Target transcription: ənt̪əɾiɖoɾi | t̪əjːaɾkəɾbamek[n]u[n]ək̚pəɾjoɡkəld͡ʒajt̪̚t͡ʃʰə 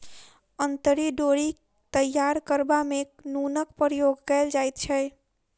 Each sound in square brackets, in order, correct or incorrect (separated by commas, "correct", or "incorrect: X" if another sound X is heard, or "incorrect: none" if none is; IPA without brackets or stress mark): correct, correct